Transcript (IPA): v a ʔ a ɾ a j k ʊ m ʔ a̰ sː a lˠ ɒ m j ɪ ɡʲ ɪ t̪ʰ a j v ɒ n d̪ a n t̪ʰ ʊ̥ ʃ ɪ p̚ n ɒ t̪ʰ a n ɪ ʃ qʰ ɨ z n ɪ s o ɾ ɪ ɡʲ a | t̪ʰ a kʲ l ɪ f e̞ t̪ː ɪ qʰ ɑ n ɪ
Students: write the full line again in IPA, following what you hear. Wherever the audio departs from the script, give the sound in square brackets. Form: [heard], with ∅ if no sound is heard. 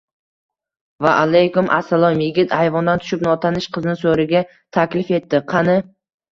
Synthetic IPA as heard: v a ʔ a [l] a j k ʊ m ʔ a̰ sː a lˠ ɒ m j ɪ ɡʲ ɪ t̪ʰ a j v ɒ n d̪ a n t̪ʰ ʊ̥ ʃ ɪ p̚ n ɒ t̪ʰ a n ɪ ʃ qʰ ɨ z n ɪ s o ɾ ɪ ɡʲ a | t̪ʰ a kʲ l ɪ f e̞ t̪ː ɪ qʰ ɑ n ɪ